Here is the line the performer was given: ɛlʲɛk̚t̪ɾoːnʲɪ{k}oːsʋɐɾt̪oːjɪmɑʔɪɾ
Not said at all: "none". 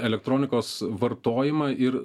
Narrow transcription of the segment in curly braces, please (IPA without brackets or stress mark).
k